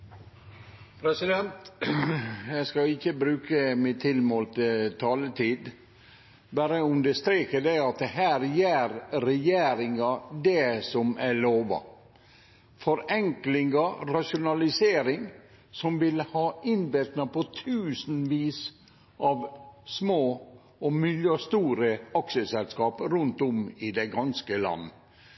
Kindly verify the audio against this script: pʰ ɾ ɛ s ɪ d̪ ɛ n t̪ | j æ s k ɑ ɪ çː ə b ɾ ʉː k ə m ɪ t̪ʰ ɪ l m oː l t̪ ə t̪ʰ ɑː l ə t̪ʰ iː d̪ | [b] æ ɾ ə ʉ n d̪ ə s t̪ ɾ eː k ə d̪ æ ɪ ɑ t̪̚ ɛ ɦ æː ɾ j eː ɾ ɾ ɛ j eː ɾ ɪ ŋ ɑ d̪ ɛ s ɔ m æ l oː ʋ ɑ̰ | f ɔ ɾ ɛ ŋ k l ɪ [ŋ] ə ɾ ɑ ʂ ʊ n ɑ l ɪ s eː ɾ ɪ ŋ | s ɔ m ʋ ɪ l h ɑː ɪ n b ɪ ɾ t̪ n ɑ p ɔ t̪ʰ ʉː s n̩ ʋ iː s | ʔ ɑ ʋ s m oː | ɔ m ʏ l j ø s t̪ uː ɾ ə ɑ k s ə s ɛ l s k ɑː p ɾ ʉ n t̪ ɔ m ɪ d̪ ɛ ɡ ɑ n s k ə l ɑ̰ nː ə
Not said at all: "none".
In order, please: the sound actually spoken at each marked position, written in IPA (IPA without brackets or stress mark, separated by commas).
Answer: b, ŋ